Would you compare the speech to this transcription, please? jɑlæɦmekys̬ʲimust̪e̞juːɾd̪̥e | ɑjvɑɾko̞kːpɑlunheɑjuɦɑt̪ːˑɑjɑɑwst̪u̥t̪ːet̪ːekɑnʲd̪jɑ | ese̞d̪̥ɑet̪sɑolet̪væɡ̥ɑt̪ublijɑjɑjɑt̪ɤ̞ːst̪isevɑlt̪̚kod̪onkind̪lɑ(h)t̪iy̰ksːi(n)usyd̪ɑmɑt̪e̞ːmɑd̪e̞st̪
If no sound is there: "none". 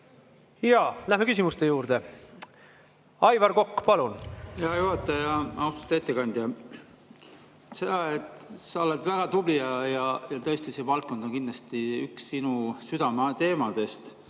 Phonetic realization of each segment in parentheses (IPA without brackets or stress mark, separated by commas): s, n